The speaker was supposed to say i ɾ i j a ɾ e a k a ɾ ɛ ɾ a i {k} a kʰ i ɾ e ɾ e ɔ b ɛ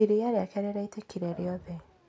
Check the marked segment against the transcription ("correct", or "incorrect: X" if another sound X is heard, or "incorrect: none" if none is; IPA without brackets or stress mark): incorrect: t